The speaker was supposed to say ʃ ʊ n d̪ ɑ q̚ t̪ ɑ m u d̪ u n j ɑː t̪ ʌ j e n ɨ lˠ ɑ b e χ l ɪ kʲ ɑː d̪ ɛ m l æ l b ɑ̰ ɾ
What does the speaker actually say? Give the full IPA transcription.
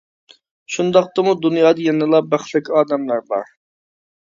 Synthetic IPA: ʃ u n d̪ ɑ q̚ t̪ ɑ m u d̪ u n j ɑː d̪ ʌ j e n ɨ lˠ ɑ b æ χ l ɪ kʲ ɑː d̪ ɛ m l æ ɾ b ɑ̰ ɾ